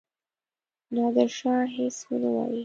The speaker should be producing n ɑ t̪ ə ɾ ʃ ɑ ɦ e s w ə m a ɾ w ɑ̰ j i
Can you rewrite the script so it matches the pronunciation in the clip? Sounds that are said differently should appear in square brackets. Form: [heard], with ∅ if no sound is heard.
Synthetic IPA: n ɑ [d̪] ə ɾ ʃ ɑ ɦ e s w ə [n] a [∅] w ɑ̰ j i